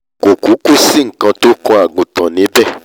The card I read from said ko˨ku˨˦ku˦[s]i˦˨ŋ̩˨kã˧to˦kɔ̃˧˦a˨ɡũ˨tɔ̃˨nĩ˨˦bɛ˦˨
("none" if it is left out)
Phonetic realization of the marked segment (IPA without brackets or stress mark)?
s